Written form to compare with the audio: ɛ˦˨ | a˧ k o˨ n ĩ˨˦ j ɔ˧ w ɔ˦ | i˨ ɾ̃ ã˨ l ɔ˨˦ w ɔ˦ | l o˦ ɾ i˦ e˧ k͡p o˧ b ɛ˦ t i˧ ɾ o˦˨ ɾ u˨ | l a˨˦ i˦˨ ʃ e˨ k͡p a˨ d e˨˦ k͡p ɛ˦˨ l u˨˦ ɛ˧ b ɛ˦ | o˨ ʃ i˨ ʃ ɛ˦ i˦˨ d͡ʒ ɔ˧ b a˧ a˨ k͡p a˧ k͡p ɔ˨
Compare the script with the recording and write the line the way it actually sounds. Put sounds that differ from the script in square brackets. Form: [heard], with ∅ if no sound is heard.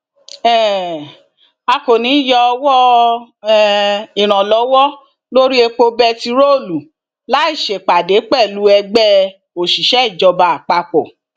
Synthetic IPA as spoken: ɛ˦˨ | a˧ k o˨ n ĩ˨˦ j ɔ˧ w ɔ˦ | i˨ ɾ̃ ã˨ l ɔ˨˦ w ɔ˦ | l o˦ ɾ i˦ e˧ k͡p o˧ b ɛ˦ t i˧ ɾ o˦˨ [l] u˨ | l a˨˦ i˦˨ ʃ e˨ k͡p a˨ d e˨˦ k͡p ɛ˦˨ l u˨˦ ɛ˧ [ɡ͡b] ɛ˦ | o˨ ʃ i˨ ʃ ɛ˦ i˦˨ d͡ʒ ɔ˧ b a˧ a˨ k͡p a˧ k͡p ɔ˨